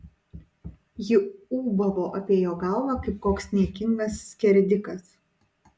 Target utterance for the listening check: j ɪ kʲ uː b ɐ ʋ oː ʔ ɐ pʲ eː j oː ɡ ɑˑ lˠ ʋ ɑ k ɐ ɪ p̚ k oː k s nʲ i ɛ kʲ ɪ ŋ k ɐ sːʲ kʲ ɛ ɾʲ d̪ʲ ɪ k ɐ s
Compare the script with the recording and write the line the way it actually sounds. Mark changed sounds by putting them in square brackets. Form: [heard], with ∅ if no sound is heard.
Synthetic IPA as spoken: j ɪ [∅] uː b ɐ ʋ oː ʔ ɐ pʲ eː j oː ɡ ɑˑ lˠ ʋ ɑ k ɐ ɪ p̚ k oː k s nʲ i ɛ kʲ ɪ ŋ [ɡ] ɐ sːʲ kʲ ɛ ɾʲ d̪ʲ ɪ k ɐ s